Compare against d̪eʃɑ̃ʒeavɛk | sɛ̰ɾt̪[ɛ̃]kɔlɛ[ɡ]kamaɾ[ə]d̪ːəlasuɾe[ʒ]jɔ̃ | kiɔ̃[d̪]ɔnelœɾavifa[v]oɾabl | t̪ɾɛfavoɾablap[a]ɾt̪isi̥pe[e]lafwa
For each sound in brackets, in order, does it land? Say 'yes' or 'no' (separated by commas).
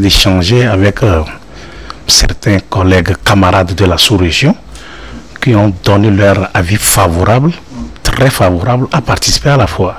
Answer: yes, yes, no, yes, yes, yes, yes, no